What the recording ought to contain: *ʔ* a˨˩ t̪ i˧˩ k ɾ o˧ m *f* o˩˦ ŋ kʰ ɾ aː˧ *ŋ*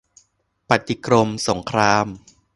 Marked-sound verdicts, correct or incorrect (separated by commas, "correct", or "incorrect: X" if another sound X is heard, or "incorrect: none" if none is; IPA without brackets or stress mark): incorrect: p, incorrect: s, incorrect: m